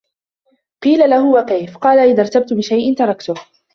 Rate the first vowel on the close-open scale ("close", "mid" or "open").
close